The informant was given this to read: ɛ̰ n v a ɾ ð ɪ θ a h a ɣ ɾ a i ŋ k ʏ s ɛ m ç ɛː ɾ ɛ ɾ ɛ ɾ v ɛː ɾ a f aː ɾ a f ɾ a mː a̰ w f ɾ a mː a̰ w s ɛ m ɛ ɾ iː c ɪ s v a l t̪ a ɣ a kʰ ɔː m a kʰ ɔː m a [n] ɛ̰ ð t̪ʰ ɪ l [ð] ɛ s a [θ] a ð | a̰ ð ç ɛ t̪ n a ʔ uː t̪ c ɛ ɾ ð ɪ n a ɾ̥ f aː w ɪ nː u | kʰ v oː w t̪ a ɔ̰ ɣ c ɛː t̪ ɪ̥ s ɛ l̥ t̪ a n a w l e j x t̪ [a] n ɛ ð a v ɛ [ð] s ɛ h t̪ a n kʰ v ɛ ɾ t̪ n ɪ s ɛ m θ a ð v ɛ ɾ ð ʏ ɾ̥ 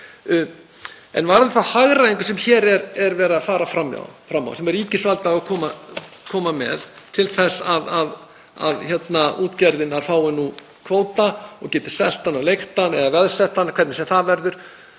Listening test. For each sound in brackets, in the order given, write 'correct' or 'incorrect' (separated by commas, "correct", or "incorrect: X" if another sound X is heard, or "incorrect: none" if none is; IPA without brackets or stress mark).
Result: incorrect: m, incorrect: θ, incorrect: ð, correct, correct